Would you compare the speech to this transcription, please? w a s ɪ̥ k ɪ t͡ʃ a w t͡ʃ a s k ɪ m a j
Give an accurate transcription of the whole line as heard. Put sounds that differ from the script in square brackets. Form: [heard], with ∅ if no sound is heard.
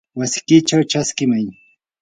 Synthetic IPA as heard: w a s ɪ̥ k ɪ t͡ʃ a w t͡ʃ a s k ɪ m a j